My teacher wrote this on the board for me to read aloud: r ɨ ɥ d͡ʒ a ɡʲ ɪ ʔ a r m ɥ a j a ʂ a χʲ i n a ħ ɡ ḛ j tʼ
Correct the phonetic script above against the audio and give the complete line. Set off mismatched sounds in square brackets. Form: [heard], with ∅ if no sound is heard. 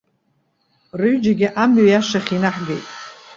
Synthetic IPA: r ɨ ɥ d͡ʒ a ɡʲ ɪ ʔ a [∅] m ɥ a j a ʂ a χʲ i n a ħ ɡ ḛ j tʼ